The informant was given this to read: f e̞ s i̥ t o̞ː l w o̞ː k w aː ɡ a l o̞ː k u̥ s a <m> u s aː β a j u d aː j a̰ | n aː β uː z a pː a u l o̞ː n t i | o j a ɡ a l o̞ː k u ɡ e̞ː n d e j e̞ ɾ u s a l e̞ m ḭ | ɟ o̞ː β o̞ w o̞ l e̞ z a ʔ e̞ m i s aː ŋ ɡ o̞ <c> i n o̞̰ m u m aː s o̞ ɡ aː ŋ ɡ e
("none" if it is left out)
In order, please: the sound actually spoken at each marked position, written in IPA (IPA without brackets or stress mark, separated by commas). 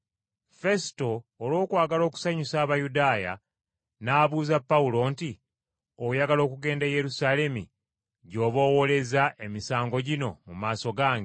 ɲ, ɟ